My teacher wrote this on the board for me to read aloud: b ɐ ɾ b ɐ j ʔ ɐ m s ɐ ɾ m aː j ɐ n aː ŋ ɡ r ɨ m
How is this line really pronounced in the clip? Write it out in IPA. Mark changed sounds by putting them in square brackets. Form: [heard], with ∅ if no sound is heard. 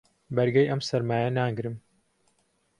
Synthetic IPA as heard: b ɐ ɾ [ɡ] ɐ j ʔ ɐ m s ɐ ɾ m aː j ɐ n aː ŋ ɡ [ɾ] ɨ m